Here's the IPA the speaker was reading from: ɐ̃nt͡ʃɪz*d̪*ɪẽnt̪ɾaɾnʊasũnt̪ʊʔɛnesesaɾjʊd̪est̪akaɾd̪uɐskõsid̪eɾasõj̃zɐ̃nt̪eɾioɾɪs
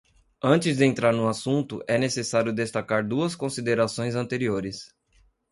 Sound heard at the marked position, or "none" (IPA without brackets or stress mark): d̪